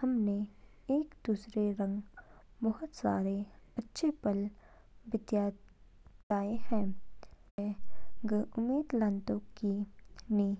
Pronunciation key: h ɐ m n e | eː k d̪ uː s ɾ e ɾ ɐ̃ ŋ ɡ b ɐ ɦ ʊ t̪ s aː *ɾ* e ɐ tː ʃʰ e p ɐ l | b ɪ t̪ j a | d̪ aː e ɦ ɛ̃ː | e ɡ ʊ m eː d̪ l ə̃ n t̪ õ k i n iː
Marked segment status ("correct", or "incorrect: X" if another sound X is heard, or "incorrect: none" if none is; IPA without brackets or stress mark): correct